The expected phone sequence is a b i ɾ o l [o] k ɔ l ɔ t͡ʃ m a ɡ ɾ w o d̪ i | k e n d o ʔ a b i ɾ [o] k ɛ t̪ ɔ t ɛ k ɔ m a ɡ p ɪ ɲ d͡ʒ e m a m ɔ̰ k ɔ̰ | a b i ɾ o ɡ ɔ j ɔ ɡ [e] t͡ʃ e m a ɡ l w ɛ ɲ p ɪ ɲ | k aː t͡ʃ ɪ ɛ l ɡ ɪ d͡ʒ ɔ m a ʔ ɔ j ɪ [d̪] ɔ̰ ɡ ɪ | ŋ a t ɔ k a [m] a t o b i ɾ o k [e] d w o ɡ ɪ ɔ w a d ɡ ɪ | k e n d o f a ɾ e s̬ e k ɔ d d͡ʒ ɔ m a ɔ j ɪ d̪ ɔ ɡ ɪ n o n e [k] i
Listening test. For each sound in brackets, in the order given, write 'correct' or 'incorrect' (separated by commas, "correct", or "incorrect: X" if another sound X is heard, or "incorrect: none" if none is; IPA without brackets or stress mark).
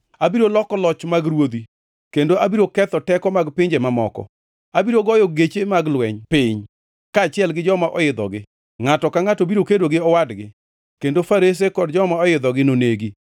incorrect: ɔ, correct, correct, correct, incorrect: ŋ, correct, incorrect: ɡ